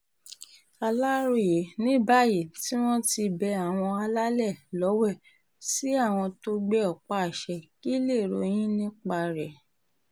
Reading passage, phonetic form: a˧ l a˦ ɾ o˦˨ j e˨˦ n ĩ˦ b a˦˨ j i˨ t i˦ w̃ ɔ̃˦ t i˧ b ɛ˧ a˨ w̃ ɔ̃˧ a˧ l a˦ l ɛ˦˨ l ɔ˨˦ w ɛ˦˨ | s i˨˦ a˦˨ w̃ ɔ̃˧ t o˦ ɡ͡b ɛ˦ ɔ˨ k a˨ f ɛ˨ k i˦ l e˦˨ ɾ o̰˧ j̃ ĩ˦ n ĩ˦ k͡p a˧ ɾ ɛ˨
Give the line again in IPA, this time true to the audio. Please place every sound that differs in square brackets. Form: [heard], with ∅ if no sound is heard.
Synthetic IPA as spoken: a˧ l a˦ ɾ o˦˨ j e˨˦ n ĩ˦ b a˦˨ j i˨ t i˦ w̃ ɔ̃˦ t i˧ b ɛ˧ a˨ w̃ ɔ̃˧ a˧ l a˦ l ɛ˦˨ l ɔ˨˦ w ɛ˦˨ | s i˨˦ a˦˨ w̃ ɔ̃˧ t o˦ ɡ͡b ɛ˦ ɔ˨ [k͡p] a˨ [ʃ] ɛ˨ k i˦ l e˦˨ ɾ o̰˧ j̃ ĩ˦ n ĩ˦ k͡p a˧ ɾ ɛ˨